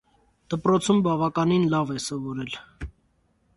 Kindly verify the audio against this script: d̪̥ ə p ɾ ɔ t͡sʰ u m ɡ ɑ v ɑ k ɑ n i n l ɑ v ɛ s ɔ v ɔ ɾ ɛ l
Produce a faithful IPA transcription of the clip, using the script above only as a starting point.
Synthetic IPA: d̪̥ ə p ɾ ɔ t͡sʰ u m b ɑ v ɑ k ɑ n i n l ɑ v ɛ s ɔ v ɔ ɾ ɛ l